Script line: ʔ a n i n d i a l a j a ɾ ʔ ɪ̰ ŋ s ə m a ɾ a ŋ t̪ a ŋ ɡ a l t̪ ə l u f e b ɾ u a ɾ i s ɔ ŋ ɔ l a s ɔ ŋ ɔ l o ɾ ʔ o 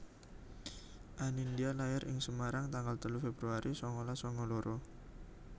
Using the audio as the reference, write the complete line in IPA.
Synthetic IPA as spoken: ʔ a n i n d i a l a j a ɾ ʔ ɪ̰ ŋ s ə m a ɾ a ŋ t̪ a ŋ ɡ a l t̪ ə l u f e b ɾ u a ɾ i s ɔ ŋ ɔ l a s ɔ ŋ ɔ l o ɾ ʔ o